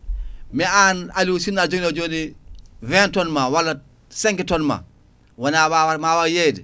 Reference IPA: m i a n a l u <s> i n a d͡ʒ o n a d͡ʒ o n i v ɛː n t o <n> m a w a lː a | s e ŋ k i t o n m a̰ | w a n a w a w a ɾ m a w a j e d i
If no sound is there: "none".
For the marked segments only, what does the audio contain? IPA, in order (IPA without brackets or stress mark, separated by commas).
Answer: s, n